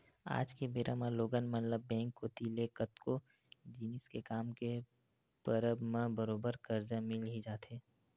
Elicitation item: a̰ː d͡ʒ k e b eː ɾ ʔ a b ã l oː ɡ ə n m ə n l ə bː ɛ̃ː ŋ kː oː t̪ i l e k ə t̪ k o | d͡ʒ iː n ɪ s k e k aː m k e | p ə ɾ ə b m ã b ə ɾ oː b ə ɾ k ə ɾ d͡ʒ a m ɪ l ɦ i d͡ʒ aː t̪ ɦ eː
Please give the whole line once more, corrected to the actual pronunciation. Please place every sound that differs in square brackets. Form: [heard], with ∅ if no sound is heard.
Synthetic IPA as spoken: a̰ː d͡ʒ k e b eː ɾ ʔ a [m] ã l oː ɡ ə n m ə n l ə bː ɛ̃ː ŋ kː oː t̪ i l e k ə t̪ k o | d͡ʒ iː n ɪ s k e k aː m k e | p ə ɾ ə b m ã b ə ɾ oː b ə ɾ k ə ɾ d͡ʒ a m ɪ l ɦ i d͡ʒ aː t̪ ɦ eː